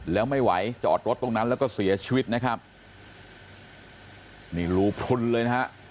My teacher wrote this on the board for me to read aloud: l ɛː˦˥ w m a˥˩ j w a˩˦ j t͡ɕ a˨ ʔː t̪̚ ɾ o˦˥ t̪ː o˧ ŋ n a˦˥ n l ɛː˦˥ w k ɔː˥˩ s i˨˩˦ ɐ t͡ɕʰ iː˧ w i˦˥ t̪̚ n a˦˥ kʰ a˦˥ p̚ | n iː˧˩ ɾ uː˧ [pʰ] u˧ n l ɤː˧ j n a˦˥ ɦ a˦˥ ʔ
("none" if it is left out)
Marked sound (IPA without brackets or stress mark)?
pʰ